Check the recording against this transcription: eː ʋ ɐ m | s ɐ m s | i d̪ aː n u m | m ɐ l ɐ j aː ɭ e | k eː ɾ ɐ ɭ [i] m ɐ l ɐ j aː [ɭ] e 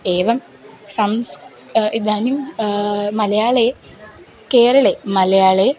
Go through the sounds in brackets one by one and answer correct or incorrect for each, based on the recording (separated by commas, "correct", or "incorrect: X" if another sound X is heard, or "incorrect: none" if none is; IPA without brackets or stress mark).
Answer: incorrect: e, correct